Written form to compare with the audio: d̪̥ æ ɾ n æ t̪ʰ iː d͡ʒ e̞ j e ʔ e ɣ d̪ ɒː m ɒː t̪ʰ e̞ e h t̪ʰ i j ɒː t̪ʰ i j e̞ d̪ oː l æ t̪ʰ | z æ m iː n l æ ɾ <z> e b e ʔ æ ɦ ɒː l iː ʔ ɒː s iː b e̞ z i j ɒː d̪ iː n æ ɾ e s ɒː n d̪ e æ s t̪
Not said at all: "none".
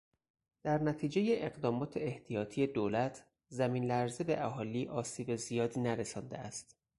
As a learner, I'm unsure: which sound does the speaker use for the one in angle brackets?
z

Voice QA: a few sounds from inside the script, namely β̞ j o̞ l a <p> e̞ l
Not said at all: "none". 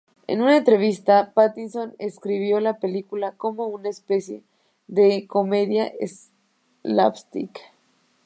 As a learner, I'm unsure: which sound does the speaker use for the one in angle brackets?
p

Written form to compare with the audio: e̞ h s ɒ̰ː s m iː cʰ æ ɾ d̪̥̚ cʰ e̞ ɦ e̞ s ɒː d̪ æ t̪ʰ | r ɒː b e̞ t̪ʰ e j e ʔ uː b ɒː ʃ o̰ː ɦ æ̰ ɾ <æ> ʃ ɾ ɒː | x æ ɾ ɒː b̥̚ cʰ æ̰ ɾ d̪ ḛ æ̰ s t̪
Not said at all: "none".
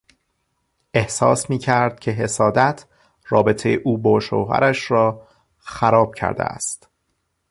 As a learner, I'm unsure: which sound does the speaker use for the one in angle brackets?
æ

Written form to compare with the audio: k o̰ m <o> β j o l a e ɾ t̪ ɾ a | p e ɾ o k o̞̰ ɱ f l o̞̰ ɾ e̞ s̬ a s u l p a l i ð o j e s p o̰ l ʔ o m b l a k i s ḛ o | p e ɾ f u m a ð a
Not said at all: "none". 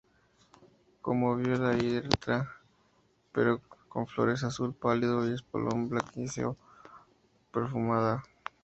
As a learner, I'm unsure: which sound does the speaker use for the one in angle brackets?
o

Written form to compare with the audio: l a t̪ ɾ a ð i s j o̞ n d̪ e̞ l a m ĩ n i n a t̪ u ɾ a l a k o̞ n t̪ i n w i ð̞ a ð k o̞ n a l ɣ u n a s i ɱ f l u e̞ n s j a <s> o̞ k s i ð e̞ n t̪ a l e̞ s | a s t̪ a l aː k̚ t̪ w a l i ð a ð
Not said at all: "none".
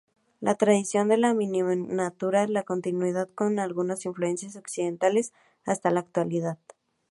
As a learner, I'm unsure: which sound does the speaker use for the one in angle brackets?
s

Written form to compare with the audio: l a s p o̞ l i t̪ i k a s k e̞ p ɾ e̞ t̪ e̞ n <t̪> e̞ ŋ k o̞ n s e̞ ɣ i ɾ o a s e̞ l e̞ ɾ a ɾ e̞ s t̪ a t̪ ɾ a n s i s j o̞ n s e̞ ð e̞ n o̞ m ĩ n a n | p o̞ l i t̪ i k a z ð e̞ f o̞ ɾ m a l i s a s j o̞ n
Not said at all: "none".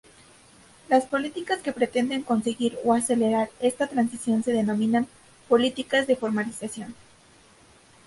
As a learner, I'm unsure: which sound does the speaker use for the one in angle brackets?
d̪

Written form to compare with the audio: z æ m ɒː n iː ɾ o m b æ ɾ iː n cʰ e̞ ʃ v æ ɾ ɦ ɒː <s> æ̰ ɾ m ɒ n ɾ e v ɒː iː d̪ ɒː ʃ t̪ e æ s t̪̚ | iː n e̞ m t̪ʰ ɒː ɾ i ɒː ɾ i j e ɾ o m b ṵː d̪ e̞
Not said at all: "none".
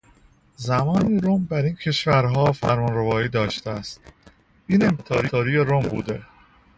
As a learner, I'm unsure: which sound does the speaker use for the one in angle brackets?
f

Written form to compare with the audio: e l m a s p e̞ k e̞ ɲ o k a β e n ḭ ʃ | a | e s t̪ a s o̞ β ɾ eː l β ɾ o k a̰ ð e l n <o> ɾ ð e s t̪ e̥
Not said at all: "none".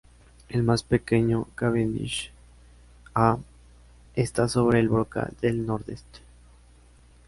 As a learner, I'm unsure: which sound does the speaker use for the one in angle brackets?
o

